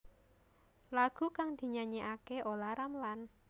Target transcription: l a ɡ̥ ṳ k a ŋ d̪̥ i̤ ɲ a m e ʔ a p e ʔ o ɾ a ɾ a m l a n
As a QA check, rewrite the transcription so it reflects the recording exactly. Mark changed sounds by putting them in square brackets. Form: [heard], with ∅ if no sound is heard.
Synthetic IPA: l a ɡ̥ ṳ k a ŋ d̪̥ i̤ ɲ a [ɲ] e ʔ a [k] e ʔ o [l] a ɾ a m l a n